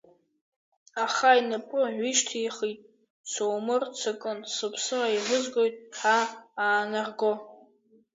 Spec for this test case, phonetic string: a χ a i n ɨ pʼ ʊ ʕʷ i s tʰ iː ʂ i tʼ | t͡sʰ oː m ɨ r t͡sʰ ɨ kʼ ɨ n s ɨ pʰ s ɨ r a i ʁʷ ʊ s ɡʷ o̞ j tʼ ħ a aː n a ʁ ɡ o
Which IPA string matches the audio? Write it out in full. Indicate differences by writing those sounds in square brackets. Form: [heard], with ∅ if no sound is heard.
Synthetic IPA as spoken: a χ a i n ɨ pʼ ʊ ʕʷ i [ʃ] tʰ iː [χ] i tʼ | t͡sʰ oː m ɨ r t͡sʰ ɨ kʼ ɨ n s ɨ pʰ s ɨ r a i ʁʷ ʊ [z] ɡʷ o̞ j tʼ ħ a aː n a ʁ ɡ o